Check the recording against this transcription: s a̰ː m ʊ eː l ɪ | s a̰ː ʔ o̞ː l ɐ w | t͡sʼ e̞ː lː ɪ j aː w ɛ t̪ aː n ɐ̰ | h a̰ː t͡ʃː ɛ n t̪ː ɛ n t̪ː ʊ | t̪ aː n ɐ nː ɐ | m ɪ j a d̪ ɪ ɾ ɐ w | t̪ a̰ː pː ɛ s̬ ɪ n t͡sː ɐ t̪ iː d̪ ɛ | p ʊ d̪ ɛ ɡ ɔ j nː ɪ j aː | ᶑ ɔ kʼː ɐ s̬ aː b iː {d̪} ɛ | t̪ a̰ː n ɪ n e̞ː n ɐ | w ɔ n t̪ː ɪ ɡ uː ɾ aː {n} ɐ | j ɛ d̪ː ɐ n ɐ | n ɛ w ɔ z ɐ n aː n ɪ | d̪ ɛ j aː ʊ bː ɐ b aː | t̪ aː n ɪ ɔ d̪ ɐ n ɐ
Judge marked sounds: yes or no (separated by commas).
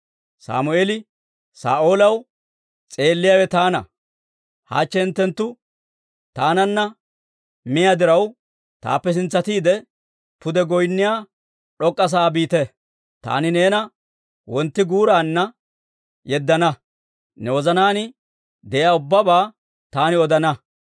no, no